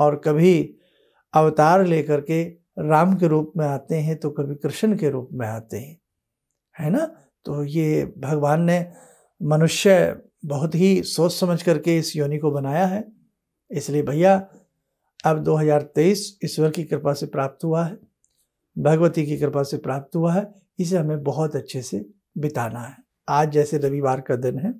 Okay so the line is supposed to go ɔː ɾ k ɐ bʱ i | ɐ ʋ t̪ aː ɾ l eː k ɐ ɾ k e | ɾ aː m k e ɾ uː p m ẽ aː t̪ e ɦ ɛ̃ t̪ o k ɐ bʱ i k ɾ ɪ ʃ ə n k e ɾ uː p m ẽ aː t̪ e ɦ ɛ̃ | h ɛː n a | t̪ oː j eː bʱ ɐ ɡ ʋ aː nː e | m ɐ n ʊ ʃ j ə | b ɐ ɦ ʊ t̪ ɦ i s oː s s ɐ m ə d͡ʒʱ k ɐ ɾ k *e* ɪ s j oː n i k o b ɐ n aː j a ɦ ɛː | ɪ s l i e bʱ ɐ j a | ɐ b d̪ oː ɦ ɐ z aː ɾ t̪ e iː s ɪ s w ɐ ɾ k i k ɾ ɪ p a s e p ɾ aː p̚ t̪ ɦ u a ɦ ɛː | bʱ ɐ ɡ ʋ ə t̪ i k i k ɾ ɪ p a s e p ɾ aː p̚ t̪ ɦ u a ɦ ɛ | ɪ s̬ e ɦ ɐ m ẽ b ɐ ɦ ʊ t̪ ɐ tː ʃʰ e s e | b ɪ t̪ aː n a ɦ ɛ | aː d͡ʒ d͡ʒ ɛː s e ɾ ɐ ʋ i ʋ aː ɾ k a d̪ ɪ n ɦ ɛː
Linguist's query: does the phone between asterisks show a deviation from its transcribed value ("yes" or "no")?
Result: no